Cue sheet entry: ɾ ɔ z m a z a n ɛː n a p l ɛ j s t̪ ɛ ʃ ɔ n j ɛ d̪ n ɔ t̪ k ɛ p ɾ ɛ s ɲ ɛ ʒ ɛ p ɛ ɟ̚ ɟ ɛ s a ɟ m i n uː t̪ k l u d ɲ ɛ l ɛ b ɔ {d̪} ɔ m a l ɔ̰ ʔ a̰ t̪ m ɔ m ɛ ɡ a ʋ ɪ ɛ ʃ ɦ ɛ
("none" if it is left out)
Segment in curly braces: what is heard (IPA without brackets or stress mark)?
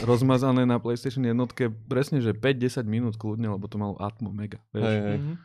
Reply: t̪